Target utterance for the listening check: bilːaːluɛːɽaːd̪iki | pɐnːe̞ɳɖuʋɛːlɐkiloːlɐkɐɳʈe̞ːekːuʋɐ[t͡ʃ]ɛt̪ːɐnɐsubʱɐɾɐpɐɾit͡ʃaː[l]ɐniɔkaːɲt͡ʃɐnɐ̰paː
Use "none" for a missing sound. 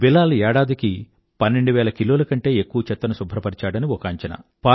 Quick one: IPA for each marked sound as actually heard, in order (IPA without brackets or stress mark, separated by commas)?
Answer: t͡ʃ, ɽ